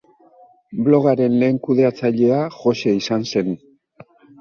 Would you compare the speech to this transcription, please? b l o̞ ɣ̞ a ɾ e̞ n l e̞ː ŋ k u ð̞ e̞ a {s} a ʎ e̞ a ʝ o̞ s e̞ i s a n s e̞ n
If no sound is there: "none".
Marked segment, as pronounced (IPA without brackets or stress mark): t͡s